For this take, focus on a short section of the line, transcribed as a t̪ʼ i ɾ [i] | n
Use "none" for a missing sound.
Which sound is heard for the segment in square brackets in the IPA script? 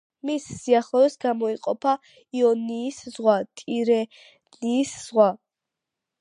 ɛ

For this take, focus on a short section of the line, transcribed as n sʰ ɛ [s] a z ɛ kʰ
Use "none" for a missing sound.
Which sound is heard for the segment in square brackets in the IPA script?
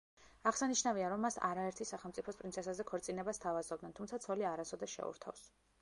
s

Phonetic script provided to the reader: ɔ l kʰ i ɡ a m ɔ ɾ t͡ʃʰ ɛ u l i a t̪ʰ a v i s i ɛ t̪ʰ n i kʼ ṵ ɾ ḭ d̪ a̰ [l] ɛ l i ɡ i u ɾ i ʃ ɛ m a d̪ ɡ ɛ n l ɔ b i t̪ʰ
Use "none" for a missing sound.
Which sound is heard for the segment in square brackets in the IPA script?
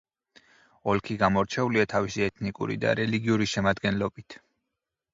ɾ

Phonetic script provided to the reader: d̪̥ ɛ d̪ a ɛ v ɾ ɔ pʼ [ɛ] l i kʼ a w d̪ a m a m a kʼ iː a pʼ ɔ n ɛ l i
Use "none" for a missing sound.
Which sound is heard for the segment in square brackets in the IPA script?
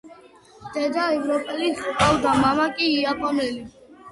ɛ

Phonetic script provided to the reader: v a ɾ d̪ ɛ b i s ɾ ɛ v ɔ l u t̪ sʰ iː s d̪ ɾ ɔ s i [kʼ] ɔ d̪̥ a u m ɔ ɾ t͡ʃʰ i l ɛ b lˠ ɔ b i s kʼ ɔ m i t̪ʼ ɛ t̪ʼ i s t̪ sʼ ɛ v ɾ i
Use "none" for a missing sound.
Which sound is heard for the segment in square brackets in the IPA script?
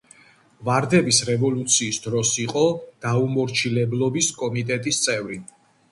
qʼ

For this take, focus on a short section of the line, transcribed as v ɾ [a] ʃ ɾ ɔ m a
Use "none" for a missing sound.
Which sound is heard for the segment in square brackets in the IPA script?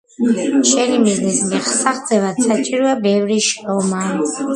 i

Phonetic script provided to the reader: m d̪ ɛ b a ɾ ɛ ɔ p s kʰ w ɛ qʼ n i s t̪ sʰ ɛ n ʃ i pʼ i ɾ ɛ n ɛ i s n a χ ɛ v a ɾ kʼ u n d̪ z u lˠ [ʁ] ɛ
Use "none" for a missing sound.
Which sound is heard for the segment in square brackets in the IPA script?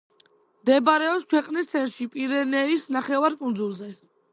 z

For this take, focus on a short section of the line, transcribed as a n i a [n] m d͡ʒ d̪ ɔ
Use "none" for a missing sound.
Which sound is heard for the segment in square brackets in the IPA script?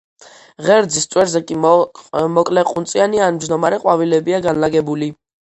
n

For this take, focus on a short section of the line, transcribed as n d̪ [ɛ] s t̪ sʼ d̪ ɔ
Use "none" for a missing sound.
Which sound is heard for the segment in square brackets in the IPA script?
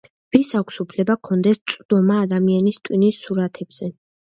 ɛ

